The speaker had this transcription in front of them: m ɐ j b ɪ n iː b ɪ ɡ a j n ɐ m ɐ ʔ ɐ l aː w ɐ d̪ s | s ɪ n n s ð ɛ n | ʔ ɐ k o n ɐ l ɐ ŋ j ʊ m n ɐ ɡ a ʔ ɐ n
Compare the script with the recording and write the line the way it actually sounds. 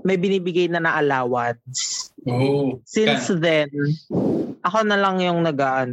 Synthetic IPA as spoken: m ɐ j b ɪ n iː b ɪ ɡ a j n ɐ n ɐ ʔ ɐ l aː w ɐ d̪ s | s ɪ n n s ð ɛ n | ʔ ɐ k o n ɐ l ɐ ŋ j ʊ ŋ n ɐ ɡ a ʔ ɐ n